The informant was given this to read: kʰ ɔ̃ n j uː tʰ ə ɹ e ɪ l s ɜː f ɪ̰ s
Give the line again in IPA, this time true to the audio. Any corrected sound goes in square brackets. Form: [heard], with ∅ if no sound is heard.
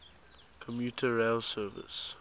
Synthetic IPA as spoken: kʰ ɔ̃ [m] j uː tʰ ə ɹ e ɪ l s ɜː [v] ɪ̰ s